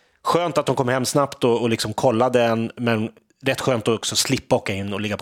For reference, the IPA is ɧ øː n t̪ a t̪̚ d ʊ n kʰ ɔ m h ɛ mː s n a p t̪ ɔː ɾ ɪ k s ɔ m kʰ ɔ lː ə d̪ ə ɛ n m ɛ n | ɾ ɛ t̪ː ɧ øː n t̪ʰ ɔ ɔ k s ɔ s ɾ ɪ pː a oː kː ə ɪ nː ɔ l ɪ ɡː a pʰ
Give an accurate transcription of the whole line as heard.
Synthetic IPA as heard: ɧ øː n t̪ a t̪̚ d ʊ n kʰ ɔ m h ɛ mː s n a p t̪ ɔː l ɪ k s ɔ m kʰ ɔ lː a d̪ ə ɛ n m ɛ n | ɾ ɛ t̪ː ɧ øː n t̪ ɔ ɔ k s ɔ s l ɪ pː a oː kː a ɪ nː ɔ l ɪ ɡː a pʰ